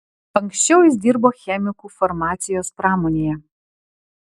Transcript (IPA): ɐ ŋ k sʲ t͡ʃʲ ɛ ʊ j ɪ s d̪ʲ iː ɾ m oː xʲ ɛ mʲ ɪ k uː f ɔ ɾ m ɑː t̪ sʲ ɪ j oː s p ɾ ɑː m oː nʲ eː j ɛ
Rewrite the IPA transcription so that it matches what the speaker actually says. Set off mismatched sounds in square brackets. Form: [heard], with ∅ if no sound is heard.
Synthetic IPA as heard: ɐ ŋ k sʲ t͡ʃʲ ɛ ʊ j ɪ s d̪ʲ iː ɾ [b] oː xʲ ɛ mʲ ɪ k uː f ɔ ɾ m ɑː t̪ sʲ ɪ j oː s p ɾ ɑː m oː nʲ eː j ɛ